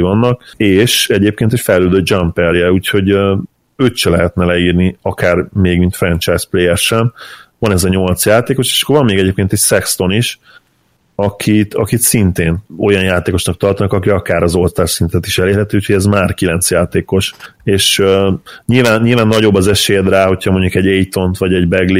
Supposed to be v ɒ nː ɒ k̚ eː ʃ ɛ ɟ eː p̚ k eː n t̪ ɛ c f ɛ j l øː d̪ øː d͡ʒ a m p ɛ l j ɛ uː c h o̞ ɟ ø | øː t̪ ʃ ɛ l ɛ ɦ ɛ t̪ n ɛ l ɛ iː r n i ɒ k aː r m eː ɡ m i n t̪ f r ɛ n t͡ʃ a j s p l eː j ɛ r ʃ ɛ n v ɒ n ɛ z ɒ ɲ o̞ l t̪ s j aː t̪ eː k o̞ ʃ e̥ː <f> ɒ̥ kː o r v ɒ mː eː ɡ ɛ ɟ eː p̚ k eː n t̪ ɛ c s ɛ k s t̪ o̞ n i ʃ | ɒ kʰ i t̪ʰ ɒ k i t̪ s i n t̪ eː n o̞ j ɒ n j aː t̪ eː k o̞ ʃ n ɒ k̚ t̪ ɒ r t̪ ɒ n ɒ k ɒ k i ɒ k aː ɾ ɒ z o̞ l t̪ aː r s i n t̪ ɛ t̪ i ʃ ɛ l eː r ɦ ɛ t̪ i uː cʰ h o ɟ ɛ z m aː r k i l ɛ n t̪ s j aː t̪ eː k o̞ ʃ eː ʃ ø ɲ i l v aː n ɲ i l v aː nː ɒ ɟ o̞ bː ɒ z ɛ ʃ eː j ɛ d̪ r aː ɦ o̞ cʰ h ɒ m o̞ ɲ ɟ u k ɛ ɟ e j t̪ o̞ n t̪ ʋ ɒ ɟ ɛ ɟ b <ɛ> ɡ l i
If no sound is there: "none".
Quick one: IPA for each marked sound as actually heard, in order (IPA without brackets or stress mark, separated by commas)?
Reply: ʃ, ɛ